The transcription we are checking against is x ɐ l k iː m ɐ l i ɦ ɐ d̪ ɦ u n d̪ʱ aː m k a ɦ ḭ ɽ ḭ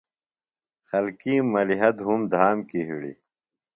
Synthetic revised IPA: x ɐ l k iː m ɐ l i ɦ ɐ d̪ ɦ u m d̪ʱ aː m k i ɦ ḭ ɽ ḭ